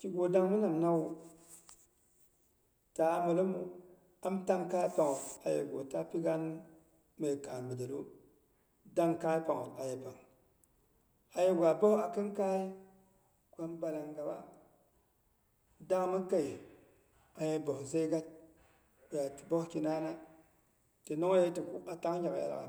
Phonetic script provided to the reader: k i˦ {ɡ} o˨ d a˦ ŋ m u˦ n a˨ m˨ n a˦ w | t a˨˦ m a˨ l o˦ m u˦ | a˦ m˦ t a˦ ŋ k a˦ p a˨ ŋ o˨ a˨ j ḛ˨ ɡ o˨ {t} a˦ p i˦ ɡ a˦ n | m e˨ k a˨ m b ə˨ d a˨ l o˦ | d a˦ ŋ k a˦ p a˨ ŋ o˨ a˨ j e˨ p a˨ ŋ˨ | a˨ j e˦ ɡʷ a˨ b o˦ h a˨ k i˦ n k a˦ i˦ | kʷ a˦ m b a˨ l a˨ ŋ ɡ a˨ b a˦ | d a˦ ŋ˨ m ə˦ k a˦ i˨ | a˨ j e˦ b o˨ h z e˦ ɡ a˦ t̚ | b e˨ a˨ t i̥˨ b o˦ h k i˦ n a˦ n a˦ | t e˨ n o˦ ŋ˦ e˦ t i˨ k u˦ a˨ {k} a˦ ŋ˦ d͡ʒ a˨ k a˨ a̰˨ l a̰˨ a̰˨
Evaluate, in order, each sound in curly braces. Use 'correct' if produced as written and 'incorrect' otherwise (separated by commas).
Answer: correct, correct, incorrect